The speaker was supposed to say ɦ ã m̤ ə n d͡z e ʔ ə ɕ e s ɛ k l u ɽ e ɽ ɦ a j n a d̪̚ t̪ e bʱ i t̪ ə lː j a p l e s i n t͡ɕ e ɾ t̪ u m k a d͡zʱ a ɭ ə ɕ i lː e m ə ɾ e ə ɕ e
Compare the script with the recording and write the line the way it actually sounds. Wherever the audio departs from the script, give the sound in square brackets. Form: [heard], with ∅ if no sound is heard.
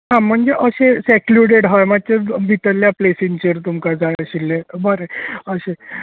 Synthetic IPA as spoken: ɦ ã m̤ ə [ɳ] d͡z e ʔ ə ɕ e s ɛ k l u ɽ e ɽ ɦ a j [m] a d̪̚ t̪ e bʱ i t̪ ə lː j a p l e s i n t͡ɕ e ɾ t̪ u m k a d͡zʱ a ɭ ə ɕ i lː e [b] ə ɾ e ə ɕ e